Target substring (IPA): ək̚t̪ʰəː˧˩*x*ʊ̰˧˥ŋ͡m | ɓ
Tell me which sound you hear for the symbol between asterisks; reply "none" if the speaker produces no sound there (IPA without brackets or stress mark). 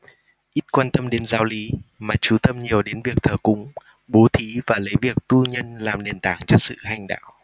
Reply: k